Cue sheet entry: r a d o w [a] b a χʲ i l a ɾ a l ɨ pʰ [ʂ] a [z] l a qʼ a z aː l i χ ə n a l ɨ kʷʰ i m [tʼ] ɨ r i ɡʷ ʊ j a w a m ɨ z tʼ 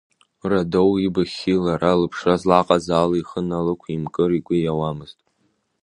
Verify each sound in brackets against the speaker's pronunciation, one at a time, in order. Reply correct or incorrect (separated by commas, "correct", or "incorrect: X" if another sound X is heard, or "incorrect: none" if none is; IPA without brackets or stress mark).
incorrect: i, correct, correct, incorrect: kʼ